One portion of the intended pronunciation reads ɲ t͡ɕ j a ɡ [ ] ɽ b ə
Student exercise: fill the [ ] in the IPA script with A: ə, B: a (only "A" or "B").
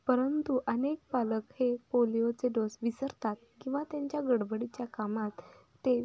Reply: A